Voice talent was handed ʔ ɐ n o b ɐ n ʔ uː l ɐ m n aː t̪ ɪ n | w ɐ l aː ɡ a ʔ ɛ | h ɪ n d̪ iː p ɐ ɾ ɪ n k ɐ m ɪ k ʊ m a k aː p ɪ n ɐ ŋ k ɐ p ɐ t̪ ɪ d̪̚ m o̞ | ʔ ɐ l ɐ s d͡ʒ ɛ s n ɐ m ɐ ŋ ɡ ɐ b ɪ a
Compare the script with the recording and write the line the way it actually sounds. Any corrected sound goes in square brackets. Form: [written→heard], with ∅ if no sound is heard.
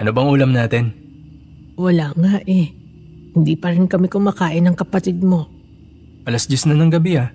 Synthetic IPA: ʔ ɐ n o b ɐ [n→ŋ] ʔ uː l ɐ m n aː t̪ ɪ n | w ɐ l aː [ɡ→ŋ] a ʔ ɛ | h ɪ n d̪ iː p ɐ ɾ ɪ n k ɐ m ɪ k ʊ m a k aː [p→ʔ] ɪ n ɐ ŋ k ɐ p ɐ t̪ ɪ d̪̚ m o̞ | ʔ ɐ l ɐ s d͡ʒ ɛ s n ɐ [m→n] ɐ ŋ ɡ ɐ b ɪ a